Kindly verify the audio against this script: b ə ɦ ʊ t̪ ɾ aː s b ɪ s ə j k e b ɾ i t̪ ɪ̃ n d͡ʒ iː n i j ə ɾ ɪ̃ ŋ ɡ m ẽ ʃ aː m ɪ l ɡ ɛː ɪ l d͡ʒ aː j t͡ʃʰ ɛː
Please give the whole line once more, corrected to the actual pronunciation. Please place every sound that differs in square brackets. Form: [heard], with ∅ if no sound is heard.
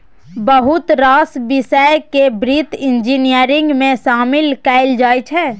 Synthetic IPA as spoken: b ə ɦ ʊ t̪ ɾ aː s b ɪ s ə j k e b ɾ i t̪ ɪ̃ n d͡ʒ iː n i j ə ɾ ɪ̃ ŋ ɡ m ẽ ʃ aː m ɪ l [k] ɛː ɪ l d͡ʒ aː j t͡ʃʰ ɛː